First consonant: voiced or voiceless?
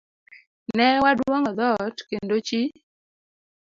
voiced